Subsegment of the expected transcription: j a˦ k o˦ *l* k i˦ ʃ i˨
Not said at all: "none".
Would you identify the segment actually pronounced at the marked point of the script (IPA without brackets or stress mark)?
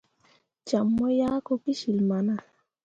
none